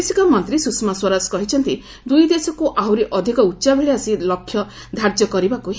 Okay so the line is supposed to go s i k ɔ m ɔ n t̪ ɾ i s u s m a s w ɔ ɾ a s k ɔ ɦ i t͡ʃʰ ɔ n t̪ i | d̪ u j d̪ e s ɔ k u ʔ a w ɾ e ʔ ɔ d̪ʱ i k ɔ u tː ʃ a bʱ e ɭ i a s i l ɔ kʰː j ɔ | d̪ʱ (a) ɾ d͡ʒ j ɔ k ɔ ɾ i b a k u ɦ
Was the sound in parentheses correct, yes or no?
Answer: yes